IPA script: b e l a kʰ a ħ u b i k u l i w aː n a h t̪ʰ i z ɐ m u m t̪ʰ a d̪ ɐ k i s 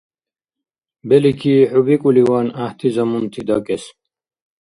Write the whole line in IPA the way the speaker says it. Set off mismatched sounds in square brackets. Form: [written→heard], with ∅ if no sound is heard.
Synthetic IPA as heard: b e l [a→i] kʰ [a→i] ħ u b i k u l i w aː n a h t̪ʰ i z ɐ m u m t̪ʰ [a→i] d̪ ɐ k [i→e] s